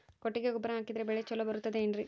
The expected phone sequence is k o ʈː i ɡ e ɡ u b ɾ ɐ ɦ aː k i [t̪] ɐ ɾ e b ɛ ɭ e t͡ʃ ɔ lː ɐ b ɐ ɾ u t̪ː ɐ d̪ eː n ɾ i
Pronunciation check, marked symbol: incorrect: d̪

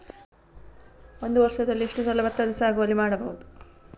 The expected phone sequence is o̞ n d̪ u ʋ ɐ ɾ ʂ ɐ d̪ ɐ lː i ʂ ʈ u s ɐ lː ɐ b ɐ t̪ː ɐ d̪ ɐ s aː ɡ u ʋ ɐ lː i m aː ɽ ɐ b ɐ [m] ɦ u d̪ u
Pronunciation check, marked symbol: incorrect: none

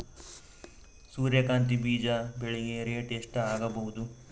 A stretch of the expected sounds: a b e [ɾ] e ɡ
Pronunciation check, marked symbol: incorrect: ɭ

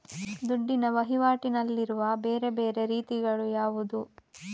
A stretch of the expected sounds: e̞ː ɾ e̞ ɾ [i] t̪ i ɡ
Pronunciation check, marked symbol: incorrect: iː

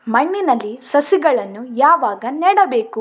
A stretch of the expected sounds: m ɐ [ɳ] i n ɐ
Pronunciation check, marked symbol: incorrect: ɳː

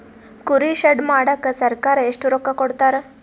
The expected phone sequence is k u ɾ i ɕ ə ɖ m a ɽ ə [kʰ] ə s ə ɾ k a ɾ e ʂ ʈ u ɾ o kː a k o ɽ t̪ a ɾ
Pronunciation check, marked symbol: incorrect: k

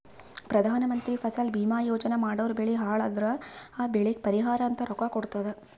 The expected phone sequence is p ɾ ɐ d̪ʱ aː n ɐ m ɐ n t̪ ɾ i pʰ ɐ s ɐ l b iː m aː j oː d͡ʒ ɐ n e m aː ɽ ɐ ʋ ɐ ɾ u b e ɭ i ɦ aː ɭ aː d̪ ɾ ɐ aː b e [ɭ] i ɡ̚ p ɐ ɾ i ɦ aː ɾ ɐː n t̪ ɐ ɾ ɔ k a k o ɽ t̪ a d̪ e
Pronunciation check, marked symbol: correct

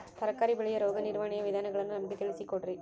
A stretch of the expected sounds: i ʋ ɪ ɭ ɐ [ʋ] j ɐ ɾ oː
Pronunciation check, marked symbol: incorrect: none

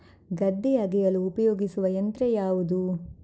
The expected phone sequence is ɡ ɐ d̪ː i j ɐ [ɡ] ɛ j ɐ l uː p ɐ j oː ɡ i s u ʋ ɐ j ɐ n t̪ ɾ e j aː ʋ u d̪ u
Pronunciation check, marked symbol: correct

